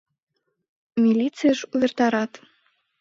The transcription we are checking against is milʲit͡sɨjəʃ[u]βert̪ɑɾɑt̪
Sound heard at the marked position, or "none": u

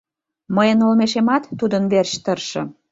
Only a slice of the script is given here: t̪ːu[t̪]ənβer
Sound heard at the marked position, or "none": d̪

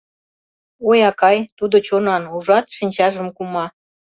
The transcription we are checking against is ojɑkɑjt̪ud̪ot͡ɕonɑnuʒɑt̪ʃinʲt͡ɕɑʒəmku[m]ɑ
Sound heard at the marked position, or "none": m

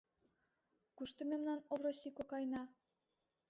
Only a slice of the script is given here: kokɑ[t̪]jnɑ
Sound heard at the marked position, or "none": none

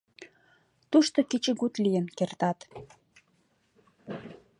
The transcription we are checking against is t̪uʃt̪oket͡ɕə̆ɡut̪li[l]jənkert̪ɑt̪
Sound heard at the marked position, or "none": none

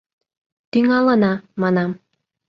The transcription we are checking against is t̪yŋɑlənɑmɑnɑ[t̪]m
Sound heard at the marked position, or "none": none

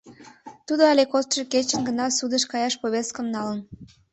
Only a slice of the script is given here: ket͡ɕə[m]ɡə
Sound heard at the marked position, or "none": n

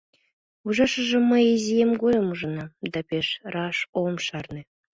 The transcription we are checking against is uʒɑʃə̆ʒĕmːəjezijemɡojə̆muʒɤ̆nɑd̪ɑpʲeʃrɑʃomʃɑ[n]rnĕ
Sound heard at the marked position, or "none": none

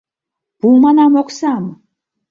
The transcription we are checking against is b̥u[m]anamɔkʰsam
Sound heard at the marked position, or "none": m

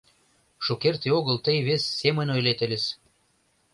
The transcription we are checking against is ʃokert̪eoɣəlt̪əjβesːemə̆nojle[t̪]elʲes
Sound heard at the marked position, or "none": t̪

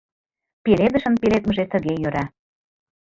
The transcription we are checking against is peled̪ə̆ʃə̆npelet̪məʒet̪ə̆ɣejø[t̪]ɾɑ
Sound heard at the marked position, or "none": none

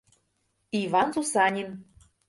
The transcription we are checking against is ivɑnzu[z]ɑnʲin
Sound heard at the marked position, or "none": s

